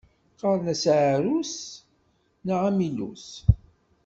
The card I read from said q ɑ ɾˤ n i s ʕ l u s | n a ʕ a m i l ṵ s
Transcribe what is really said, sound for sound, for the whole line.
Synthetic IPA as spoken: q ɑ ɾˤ n æ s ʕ ɾ u s | n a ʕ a m i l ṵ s